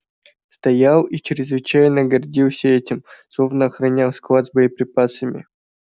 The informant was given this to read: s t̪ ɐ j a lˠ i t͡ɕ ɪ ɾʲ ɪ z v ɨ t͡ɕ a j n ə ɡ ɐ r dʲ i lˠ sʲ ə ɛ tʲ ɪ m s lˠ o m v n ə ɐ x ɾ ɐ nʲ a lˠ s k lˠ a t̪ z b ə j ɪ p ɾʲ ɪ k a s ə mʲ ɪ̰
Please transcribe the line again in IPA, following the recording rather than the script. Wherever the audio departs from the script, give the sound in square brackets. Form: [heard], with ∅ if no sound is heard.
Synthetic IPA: s t̪ ɐ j a lˠ i t͡ɕ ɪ ɾʲ ɪ z v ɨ t͡ɕ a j n ə ɡ ɐ r dʲ i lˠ sʲ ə ɛ tʲ ɪ m s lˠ o [∅] v n ə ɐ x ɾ ɐ nʲ a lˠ s k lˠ a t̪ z b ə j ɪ p ɾʲ ɪ [p] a s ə mʲ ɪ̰